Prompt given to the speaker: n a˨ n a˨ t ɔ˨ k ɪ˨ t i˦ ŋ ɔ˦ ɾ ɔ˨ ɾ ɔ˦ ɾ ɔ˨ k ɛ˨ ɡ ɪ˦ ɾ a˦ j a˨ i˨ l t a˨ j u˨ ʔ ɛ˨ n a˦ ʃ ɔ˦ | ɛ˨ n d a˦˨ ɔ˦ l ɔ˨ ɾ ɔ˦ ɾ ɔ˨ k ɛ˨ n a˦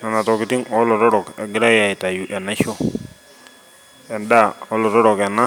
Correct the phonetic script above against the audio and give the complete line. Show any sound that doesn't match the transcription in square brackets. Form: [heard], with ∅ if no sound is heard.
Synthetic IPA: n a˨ n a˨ t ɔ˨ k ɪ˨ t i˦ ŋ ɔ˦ [l] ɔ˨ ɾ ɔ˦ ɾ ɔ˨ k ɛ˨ ɡ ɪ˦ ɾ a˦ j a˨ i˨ [∅] t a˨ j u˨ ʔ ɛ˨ n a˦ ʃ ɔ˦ | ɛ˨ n d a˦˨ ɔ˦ l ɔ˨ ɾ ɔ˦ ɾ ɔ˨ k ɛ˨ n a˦